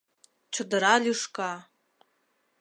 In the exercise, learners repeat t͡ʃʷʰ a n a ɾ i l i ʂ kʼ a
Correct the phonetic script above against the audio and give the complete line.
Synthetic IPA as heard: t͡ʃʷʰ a d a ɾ a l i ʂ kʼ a

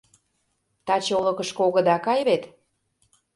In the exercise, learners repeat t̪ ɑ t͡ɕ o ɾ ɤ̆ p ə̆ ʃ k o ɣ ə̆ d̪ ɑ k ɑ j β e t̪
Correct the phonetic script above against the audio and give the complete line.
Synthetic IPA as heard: t̪ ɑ t͡ɕ o l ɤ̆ k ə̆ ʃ k o ɣ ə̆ d̪ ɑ k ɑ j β e t̪

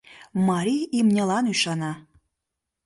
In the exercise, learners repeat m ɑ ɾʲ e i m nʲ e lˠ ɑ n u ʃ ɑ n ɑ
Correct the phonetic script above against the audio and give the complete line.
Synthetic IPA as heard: m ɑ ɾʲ i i m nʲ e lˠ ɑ n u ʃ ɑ n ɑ

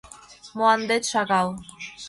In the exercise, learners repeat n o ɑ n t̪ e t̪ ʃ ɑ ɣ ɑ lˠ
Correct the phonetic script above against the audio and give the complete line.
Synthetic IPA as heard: m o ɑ n d̪ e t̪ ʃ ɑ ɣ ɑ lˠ

